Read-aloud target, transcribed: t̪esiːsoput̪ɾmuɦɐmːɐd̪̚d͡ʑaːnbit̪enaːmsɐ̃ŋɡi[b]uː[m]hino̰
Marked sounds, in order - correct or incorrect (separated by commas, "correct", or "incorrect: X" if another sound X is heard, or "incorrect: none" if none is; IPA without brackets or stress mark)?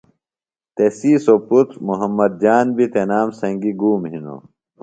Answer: incorrect: ɡ, correct